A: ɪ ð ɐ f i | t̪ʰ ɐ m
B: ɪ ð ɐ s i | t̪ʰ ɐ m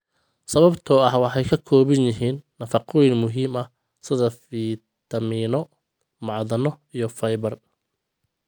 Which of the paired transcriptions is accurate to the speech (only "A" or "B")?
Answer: A